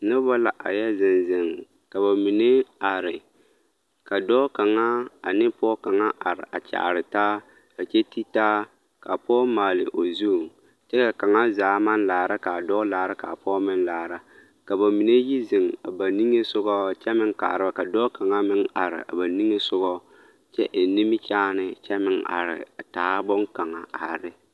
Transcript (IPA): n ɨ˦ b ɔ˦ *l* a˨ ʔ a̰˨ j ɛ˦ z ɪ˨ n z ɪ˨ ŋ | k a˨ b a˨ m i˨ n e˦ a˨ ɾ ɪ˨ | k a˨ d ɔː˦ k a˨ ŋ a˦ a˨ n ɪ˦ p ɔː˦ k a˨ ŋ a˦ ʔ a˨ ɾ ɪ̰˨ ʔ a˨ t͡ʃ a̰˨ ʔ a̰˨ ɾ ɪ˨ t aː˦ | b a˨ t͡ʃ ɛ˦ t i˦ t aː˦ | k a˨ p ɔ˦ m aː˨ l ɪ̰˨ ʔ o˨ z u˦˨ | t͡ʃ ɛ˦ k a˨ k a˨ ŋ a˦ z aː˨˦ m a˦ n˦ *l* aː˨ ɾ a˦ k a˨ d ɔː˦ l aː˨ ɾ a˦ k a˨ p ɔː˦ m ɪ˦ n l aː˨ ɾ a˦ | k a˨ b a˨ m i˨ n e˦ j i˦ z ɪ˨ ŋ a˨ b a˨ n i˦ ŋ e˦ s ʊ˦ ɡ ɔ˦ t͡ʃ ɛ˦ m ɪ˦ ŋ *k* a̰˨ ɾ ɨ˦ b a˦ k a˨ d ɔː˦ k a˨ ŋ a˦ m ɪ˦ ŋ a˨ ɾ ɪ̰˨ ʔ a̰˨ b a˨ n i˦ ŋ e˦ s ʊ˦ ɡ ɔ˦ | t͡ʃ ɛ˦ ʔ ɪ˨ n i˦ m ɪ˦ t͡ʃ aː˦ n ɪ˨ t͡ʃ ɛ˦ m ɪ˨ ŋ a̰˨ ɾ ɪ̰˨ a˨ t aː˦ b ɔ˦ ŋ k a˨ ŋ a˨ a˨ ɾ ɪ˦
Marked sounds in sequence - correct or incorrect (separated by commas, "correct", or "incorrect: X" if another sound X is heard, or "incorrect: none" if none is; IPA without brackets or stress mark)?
correct, correct, correct